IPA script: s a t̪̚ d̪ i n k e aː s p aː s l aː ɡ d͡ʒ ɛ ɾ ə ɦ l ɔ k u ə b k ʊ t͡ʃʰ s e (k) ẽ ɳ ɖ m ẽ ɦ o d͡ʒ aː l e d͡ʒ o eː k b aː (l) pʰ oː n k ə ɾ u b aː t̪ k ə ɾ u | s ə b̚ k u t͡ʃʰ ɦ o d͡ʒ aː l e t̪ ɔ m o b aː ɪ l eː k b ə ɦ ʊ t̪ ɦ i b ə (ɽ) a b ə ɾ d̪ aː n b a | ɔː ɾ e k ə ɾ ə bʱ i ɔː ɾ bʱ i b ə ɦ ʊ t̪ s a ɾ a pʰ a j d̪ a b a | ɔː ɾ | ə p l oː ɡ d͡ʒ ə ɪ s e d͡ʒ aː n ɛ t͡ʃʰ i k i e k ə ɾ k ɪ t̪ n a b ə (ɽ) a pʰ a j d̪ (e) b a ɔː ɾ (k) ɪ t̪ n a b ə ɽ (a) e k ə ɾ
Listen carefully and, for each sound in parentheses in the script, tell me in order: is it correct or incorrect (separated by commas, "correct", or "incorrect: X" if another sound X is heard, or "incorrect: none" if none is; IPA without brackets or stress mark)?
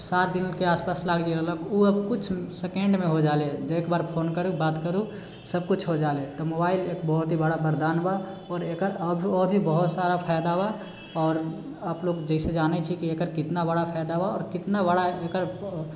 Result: correct, incorrect: ɾ, correct, correct, incorrect: a, correct, correct